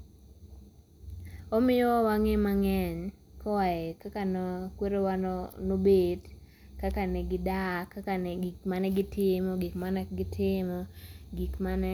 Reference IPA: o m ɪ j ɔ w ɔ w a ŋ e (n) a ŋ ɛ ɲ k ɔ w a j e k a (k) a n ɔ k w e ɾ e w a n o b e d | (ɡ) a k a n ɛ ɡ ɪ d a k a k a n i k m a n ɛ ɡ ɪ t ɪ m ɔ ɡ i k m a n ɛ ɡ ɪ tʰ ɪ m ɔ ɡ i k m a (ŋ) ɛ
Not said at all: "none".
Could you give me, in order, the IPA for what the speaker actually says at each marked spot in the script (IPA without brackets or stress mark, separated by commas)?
m, k, k, n